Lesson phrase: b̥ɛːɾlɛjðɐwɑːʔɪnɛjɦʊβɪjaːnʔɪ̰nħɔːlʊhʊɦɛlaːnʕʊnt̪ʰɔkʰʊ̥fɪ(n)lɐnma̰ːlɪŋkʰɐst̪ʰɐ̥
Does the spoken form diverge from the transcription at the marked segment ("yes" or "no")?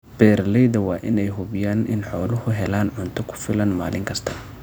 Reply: yes